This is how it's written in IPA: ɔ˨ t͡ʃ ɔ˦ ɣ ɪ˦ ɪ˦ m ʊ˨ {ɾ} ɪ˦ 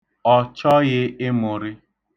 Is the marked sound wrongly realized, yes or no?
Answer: no